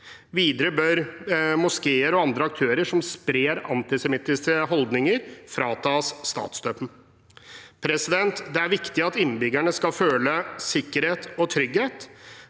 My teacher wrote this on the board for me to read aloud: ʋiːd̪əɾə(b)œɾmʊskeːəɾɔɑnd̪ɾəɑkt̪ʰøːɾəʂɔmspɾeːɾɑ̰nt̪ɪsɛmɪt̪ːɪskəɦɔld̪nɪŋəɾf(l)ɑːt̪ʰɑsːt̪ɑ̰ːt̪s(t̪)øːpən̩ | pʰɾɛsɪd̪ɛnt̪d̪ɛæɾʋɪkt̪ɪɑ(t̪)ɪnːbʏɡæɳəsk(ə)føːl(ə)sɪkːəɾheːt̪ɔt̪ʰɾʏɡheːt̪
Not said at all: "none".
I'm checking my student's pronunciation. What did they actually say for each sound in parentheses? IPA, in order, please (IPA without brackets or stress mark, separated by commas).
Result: b, ɾ, d̪, t̪, ɑ, ə